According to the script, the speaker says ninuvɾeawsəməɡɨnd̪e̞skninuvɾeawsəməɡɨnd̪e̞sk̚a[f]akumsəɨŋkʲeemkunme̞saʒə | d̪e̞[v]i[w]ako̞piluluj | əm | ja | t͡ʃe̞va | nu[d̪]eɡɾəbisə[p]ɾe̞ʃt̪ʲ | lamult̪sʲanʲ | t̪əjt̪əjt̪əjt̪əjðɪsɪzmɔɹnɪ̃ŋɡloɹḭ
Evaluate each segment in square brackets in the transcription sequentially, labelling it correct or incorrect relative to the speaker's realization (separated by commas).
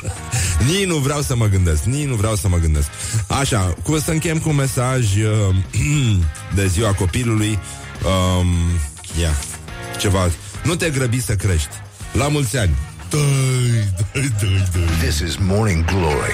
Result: incorrect, incorrect, correct, incorrect, incorrect